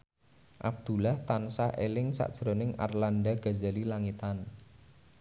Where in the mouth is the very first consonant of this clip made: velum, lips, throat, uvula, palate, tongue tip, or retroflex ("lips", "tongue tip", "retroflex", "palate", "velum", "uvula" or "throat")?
throat